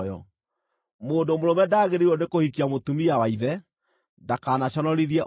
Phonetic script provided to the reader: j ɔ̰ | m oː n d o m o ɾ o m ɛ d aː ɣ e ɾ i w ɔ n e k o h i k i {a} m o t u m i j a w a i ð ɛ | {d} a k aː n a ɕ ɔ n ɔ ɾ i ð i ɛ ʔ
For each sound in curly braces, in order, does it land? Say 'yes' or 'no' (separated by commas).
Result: yes, yes